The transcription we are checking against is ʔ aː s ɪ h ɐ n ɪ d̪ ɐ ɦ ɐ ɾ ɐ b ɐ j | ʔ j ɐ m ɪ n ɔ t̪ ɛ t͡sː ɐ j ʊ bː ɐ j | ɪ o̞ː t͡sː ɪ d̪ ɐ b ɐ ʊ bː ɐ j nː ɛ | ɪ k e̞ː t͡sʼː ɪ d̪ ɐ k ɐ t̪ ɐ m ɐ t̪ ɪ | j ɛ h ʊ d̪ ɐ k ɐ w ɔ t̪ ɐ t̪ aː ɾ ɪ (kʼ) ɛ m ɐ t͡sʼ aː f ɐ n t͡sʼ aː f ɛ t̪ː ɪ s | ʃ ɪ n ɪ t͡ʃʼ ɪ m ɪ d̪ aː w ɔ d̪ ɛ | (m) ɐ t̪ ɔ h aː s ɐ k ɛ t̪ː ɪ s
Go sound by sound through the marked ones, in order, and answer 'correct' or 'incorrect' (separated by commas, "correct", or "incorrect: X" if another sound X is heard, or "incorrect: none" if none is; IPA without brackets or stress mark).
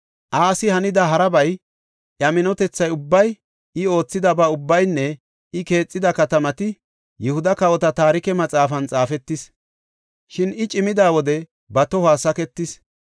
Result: incorrect: k, incorrect: b